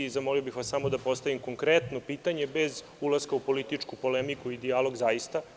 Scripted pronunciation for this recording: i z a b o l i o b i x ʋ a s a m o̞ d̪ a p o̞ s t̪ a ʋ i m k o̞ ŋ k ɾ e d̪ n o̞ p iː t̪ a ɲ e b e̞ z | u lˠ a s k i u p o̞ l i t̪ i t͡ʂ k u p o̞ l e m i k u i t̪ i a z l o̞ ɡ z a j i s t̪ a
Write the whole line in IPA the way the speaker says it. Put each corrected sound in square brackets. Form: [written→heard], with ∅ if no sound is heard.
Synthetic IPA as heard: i z a [b→m] o l i o b i x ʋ a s a m o̞ d̪ a p o̞ s t̪ a ʋ i m k o̞ ŋ k ɾ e [d̪→t̪] n o̞ p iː t̪ a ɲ e b e̞ z | u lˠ a s k [i→a] u p o̞ l i t̪ i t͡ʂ k u p o̞ l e m i k u i [t̪→d̪] i a [z→∅] l o̞ ɡ z a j i s t̪ a